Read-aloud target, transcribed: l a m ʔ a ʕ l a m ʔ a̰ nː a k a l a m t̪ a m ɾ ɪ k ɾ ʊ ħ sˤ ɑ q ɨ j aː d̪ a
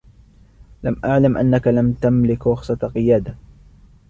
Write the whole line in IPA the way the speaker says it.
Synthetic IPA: l a m ʔ a ʕ l a m ʔ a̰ nː a k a l a m t̪ a m l ɪ k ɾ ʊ x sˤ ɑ q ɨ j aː d̪ a